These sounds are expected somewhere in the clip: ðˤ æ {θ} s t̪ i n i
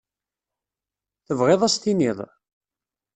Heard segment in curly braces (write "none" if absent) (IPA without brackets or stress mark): none